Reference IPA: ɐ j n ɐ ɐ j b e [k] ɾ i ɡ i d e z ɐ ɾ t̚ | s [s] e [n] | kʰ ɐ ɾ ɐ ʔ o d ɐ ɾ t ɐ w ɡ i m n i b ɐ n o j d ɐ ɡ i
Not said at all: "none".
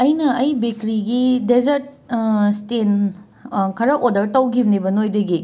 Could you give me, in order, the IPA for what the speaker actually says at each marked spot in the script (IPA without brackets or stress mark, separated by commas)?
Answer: k, t, n